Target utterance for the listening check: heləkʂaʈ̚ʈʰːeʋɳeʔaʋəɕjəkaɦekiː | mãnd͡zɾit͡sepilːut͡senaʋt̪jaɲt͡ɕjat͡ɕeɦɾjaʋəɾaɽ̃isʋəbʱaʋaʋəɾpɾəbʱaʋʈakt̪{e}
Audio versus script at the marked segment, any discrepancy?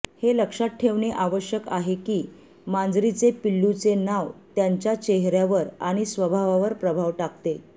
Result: no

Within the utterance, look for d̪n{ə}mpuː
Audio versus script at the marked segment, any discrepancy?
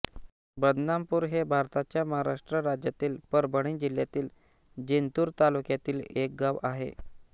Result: yes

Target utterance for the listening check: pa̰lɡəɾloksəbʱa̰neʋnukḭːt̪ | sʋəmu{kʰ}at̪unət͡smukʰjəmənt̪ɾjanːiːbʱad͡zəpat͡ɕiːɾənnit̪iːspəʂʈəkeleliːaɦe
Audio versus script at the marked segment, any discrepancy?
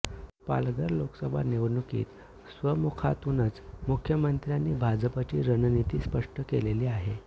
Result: no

